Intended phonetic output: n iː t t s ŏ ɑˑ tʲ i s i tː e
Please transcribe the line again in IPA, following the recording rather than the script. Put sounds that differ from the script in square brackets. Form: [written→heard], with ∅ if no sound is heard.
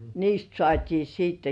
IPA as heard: n iː [t→s] t s ŏ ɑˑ tʲ [i→iː] s [i→iː] tː e